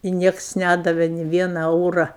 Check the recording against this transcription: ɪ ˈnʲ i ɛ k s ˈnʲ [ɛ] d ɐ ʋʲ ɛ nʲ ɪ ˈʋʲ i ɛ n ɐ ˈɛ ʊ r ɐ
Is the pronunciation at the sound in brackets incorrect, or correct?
incorrect